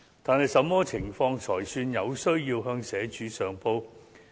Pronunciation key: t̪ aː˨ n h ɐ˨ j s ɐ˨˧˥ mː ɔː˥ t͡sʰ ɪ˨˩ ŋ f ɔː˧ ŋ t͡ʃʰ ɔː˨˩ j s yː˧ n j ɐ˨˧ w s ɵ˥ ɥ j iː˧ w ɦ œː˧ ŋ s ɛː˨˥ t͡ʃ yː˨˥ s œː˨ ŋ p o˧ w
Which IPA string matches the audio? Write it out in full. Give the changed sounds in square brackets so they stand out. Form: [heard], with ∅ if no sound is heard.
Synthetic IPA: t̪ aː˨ n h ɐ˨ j s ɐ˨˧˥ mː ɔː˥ t͡sʰ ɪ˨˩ ŋ f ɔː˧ ŋ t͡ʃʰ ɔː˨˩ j s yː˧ n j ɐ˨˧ w s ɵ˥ ɥ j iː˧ w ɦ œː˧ ŋ s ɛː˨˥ t͡ʃ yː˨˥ s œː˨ ŋ p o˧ w